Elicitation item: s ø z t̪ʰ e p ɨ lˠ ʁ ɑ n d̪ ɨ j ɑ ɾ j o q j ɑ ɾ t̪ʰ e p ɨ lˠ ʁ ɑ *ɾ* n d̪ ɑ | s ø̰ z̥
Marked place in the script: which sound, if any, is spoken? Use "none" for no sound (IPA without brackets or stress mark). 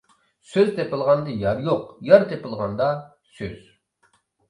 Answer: none